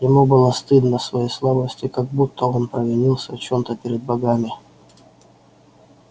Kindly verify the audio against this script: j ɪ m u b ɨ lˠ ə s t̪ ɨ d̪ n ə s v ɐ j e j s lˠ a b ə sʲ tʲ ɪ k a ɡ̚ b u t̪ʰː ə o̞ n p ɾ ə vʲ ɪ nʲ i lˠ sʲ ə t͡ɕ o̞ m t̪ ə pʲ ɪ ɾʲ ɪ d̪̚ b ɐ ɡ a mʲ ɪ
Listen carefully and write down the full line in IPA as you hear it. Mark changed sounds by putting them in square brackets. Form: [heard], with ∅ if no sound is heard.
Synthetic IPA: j ɪ m u b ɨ lˠ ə s t̪ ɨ d̪ n ə s v ɐ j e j s lˠ a b ə sʲ tʲ ɪ k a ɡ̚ b u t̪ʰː ə o̞ n p ɾ ə vʲ ɪ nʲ i lˠ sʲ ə t͡ɕ o̞ m t̪ ə pʲ ɪ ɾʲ ɪ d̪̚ b ɐ ɡ a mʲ ɪ